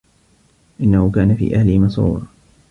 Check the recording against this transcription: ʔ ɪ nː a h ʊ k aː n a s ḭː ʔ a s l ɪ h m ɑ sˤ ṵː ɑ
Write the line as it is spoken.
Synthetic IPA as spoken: ʔ ɪ nː a h ʊ k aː n a f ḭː ʔ a h l ɪ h m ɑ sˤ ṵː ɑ